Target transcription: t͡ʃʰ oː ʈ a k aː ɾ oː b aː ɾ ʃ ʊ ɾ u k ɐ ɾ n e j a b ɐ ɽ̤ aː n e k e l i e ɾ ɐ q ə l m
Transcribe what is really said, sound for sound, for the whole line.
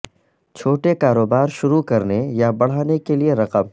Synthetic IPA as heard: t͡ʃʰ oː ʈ e k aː ɾ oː b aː ɾ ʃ ʊ ɾ u k ɐ ɾ n e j a b ɐ ɽ̤ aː n e k e l i e ɾ ɐ q ə m